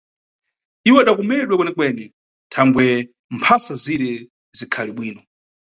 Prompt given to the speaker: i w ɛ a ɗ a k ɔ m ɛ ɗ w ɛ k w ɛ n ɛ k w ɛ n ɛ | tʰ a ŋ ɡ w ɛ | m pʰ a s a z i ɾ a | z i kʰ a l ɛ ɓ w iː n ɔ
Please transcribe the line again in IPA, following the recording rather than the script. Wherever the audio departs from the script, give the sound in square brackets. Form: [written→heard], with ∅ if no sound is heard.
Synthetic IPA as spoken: i w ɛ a ɗ a k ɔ m ɛ ɗ w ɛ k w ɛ n ɛ k w ɛ n ɛ | tʰ a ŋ ɡ w ɛ | m pʰ a s a z i ɾ [a→ɛ] | z i kʰ a l [ɛ→i] ɓ w iː n ɔ